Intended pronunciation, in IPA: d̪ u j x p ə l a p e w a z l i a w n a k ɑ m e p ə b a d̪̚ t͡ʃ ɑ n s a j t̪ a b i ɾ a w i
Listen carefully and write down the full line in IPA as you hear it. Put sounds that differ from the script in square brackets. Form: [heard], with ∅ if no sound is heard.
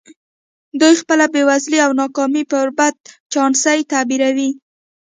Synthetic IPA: d̪ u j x p ə l a [b] e w a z l i a w n [ɑ] k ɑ m [i] p ə b a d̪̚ t͡ʃ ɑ n s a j t̪ a b i ɾ a w i